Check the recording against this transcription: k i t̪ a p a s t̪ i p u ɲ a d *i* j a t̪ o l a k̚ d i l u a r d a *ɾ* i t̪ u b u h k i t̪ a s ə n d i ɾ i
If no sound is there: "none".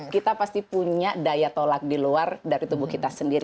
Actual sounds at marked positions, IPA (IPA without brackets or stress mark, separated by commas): a, ɾ